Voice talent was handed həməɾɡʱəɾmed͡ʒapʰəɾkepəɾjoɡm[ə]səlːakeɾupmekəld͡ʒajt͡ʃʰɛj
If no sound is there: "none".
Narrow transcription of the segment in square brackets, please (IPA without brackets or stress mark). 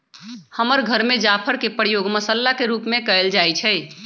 ə